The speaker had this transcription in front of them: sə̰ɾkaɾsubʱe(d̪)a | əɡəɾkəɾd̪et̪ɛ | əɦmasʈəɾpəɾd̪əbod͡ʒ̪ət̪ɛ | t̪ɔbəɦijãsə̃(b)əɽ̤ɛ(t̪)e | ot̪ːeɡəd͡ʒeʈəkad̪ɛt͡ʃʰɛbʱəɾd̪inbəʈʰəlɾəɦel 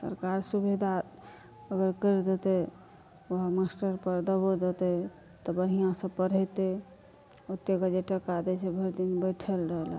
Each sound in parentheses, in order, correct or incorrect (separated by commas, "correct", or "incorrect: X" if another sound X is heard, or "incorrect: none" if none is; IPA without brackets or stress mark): correct, incorrect: p, correct